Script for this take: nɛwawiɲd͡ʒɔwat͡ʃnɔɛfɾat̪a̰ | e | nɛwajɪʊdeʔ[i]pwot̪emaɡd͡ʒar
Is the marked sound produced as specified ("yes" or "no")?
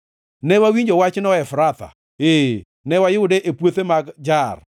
no